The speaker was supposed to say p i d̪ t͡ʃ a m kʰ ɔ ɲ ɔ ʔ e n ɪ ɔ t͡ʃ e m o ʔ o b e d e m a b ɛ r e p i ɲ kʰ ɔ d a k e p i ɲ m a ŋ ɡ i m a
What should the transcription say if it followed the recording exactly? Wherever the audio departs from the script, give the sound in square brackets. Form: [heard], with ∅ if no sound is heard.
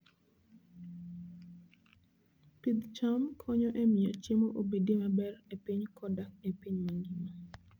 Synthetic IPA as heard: p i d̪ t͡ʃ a m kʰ ɔ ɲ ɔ ʔ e [m] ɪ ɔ t͡ʃ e m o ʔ o b e d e m a b ɛ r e p i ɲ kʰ ɔ d a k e p i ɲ m a ŋ ɡ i m a